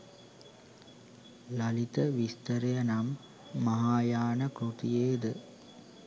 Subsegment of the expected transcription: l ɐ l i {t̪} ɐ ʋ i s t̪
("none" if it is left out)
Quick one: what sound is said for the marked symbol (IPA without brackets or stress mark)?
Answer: t̪